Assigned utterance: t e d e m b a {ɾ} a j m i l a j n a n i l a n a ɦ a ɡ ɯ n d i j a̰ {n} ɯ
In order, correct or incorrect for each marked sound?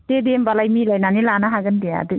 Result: incorrect: l, incorrect: d

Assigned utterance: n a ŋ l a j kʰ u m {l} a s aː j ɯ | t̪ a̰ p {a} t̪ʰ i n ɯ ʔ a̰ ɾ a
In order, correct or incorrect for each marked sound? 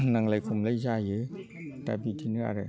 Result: correct, incorrect: i

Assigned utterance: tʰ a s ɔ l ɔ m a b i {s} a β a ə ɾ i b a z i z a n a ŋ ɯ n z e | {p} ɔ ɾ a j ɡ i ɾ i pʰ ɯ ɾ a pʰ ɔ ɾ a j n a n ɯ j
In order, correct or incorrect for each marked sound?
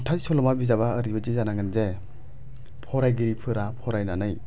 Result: incorrect: z, incorrect: pʰ

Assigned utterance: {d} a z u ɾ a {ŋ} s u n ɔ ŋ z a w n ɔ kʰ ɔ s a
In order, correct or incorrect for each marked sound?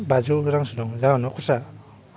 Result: incorrect: b, correct

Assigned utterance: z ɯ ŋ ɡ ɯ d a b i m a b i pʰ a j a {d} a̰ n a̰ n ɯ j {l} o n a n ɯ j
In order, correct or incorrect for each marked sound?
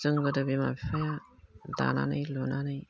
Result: correct, correct

